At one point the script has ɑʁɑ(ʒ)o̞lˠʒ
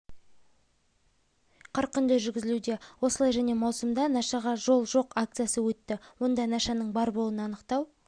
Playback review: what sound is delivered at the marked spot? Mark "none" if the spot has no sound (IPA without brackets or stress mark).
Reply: ʒ